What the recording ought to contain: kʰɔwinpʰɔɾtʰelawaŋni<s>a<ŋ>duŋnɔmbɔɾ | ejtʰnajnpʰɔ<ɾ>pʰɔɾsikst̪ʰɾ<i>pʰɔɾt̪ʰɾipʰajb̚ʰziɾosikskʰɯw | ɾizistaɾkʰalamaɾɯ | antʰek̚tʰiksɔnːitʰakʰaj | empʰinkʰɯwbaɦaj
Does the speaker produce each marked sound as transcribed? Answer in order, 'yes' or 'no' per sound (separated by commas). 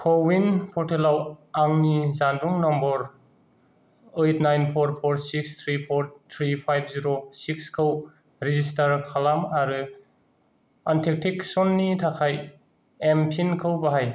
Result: no, no, yes, yes